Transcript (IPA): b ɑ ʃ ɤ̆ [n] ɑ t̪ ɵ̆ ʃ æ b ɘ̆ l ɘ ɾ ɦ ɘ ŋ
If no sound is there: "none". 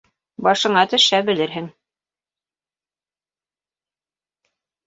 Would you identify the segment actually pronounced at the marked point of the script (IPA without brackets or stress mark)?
ɴ